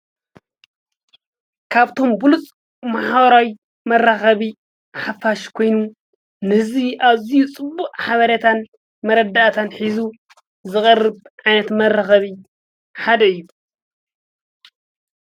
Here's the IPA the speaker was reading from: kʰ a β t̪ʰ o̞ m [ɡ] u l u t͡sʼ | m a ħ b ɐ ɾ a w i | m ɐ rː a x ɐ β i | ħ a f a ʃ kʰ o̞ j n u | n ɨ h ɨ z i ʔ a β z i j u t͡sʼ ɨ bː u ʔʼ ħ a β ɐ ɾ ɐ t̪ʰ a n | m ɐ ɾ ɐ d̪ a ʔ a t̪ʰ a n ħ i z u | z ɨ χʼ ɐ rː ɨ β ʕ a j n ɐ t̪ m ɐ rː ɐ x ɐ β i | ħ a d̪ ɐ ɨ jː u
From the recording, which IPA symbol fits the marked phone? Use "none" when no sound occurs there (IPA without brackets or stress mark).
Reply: b